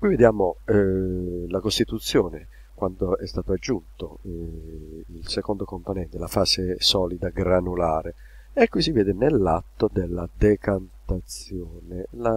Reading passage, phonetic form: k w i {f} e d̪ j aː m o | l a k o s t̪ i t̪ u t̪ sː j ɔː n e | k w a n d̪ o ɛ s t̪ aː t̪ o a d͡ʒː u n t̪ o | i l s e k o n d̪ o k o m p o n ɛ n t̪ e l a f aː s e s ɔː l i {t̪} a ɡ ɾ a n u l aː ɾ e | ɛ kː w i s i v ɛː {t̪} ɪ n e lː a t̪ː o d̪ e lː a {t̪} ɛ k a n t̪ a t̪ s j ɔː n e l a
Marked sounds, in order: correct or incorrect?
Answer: incorrect, incorrect, incorrect, incorrect

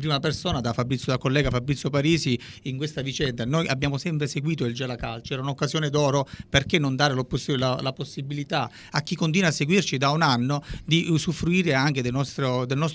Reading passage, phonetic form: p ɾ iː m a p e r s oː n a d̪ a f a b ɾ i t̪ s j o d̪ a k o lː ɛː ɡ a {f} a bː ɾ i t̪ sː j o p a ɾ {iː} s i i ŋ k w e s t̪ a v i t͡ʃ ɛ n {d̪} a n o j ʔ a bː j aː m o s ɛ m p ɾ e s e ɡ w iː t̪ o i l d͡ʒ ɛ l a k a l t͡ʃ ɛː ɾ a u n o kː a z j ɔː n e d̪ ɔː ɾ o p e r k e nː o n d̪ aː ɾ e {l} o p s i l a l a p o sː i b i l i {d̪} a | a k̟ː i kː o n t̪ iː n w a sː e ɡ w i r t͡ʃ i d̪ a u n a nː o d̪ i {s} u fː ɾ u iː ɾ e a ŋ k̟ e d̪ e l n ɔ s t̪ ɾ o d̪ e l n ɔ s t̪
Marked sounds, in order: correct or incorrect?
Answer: correct, correct, correct, correct, incorrect, correct

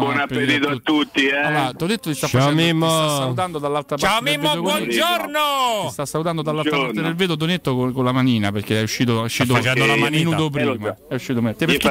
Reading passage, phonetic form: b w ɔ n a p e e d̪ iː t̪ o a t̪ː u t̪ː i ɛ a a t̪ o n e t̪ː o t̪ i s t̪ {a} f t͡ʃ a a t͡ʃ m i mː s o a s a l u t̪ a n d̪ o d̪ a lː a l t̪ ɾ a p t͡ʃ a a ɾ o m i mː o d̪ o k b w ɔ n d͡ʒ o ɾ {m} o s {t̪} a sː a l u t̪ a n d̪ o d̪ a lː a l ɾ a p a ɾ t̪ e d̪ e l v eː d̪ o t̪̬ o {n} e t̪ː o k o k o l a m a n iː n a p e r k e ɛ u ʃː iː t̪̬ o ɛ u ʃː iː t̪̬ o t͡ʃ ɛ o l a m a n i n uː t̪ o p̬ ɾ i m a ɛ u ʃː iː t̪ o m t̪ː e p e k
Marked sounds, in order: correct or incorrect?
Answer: correct, incorrect, correct, correct

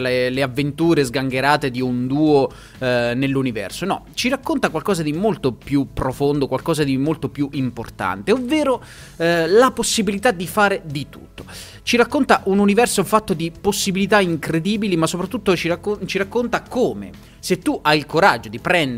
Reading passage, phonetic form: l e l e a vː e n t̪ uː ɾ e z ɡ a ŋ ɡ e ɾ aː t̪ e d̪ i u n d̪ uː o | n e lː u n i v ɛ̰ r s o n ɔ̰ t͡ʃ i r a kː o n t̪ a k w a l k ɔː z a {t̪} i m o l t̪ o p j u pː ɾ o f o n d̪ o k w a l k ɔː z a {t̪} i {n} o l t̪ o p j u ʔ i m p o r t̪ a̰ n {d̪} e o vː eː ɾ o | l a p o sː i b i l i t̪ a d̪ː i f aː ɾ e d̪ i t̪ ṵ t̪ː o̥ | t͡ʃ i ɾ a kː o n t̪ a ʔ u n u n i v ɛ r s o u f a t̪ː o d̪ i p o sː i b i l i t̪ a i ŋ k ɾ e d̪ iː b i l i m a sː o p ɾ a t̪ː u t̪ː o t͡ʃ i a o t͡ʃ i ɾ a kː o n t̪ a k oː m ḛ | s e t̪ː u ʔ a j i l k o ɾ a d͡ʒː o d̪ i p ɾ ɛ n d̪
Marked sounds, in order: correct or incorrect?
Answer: incorrect, incorrect, incorrect, incorrect

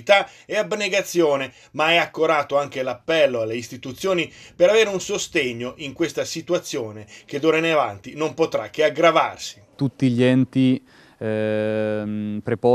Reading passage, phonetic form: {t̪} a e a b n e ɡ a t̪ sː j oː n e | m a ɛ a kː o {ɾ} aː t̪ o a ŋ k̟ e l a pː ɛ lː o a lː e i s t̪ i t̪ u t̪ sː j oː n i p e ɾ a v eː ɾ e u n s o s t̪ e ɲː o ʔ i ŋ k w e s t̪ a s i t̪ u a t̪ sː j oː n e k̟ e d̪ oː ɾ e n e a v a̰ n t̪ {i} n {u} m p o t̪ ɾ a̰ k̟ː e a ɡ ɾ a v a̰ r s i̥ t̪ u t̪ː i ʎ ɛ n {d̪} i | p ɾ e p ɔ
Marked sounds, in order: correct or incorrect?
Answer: correct, correct, correct, incorrect, incorrect

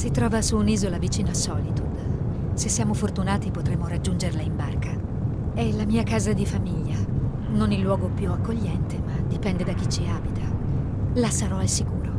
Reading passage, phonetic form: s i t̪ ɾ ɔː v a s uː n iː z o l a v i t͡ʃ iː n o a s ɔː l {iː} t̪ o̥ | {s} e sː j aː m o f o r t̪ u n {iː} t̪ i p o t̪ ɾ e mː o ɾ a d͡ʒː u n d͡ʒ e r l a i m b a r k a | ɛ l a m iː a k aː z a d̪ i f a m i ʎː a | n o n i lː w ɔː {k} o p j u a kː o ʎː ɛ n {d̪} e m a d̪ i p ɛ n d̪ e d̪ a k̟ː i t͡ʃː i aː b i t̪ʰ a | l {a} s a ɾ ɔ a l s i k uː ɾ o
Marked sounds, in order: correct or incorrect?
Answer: incorrect, correct, incorrect, incorrect, incorrect, correct

